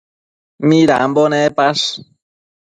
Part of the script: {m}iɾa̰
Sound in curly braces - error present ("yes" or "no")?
no